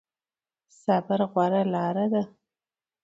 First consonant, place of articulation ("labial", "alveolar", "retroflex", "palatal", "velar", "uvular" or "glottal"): alveolar